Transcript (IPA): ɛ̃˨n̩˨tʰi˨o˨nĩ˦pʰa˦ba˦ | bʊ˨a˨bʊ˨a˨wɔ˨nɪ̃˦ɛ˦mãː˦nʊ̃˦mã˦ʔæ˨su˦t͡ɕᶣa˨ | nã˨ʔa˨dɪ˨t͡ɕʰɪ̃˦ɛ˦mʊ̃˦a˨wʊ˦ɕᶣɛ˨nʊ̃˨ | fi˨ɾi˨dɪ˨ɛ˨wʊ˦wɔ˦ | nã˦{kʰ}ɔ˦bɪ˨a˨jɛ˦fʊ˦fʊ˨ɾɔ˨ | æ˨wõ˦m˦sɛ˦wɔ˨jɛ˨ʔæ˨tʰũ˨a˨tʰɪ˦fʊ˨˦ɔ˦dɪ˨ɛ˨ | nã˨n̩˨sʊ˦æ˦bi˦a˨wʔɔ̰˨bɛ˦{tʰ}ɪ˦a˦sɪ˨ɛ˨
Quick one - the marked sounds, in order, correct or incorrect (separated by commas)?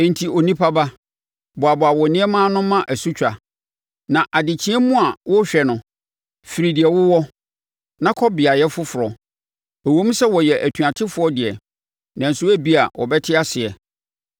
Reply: correct, correct